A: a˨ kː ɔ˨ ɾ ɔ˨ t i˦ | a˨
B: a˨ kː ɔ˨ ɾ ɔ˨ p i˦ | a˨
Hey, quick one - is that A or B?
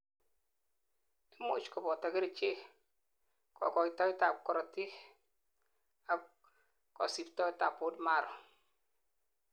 A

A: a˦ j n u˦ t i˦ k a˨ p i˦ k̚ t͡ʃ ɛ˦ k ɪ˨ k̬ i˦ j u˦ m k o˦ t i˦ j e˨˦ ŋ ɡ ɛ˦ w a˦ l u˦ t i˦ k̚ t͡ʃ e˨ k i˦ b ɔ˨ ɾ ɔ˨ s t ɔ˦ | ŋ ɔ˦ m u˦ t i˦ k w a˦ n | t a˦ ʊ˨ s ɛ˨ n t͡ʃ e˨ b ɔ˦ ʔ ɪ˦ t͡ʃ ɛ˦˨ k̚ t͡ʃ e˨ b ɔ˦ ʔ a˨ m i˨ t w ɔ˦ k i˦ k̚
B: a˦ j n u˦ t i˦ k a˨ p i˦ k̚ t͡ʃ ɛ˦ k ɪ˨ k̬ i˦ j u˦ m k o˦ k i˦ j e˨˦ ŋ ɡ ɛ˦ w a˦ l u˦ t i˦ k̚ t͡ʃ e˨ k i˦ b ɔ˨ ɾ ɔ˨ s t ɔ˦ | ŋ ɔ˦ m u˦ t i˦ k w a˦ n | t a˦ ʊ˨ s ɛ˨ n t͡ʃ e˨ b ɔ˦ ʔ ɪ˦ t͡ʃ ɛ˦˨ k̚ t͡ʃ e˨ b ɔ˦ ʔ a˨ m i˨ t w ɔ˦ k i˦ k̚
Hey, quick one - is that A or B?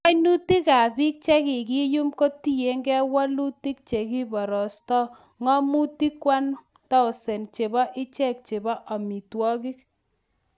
A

